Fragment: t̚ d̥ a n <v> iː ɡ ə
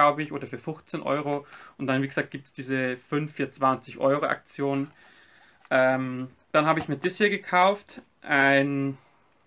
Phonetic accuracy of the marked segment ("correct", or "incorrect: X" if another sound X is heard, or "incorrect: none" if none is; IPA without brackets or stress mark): correct